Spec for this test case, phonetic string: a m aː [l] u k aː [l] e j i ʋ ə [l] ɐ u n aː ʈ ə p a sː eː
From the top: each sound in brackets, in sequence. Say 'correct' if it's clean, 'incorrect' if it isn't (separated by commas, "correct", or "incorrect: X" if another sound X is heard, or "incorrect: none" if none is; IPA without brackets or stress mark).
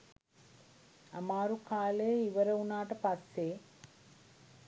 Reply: incorrect: ɾ, correct, incorrect: ɾ